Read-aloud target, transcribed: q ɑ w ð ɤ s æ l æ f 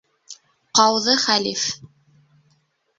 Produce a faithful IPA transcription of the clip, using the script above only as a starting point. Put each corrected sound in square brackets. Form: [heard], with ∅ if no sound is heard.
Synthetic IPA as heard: q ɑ w ð ɤ [χ] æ l [i] f